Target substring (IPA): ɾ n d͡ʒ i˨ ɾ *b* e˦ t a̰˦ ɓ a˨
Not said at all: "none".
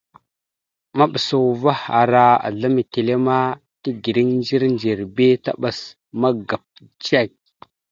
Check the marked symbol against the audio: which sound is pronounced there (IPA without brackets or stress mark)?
b